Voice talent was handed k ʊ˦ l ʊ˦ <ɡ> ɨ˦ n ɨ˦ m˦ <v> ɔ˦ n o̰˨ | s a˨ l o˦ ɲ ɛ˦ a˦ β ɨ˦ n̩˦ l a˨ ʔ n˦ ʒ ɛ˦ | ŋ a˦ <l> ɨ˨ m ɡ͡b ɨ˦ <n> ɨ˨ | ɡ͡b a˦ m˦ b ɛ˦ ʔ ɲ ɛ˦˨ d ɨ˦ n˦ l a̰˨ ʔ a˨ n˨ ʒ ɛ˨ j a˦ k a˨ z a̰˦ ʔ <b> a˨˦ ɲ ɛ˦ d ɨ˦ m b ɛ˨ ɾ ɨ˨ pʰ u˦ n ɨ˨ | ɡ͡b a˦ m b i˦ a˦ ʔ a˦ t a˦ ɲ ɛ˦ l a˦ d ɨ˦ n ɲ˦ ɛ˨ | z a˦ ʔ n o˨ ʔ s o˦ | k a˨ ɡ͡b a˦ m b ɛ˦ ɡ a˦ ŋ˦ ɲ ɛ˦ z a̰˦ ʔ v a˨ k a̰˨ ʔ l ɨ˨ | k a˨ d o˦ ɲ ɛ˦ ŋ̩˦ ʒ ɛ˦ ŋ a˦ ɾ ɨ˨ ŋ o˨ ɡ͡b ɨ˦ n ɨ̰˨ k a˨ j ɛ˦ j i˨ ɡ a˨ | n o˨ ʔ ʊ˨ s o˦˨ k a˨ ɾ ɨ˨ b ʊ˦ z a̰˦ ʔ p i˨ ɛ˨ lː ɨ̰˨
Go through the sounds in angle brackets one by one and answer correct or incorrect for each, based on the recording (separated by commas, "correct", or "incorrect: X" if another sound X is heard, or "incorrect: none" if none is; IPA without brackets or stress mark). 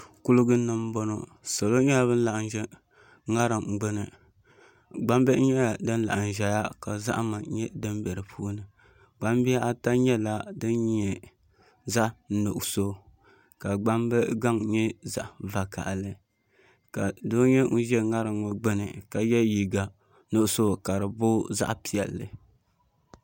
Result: correct, incorrect: b, incorrect: ɾ, correct, incorrect: m